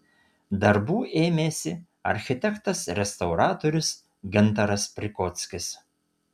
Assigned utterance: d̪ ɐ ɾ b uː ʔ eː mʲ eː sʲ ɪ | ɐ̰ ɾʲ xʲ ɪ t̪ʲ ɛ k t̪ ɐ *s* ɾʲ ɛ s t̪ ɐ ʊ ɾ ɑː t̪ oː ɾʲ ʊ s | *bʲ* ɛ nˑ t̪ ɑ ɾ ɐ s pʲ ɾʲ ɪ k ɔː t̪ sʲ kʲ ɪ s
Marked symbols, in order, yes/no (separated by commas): yes, no